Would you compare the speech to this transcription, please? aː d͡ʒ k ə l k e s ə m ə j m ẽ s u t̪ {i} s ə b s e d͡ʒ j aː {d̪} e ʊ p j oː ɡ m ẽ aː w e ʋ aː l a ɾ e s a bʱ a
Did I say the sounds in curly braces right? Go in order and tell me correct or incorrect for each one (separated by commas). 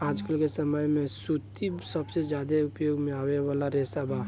correct, correct